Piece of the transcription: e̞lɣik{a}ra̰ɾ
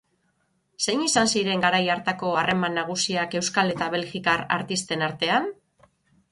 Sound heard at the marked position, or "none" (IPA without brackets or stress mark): a